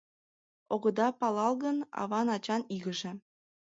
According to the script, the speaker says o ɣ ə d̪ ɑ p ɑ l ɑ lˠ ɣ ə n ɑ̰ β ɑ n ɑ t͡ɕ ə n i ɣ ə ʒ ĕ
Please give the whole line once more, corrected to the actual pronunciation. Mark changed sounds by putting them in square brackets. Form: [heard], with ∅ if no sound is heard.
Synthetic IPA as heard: o ɣ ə d̪ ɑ p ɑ l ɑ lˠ ɣ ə n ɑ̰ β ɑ n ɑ t͡ɕ [ɑ] n i ɣ ə ʒ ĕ